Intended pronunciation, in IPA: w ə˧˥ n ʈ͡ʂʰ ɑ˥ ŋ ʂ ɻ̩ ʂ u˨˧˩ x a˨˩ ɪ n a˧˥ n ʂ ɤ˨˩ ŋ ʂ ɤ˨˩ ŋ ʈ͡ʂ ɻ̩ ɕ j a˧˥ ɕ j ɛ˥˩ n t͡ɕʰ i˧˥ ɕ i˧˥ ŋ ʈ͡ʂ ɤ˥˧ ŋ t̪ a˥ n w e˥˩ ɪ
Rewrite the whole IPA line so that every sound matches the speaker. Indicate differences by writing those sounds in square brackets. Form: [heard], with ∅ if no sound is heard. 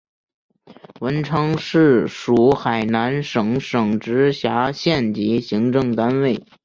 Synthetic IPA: w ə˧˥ n ʈ͡ʂʰ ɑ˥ ŋ ʂ ɻ̩ ʂ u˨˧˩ x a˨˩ ɪ n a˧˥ n ʂ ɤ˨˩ ŋ ʂ ɤ˨˩ ŋ ʈ͡ʂ ɻ̩ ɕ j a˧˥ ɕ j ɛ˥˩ n [t͡ɕ] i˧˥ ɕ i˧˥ ŋ ʈ͡ʂ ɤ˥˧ ŋ t̪ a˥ n w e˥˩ ɪ